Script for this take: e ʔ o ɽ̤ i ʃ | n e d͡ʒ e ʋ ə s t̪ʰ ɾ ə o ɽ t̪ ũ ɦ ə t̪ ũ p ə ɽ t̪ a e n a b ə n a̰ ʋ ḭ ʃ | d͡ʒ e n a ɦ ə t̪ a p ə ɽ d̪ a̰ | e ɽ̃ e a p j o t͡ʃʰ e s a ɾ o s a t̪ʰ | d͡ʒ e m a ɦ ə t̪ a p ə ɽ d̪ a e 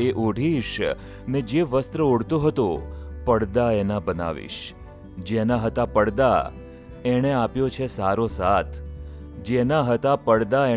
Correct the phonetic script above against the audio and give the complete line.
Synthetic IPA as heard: e ʔ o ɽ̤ i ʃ | n e d͡ʒ e ʋ ə s t̪ ɾ ə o ɽ t̪ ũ ɦ ə t̪ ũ p ə ɽ d̪ a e n a b ə n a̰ ʋ ḭ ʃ | d͡ʒ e n a ɦ ə t̪ a p ə ɽ d̪ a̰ | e ɽ̃ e a p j o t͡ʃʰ e s a ɾ o s a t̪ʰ | d͡ʒ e n a ɦ ə t̪ a p ə ɽ d̪ a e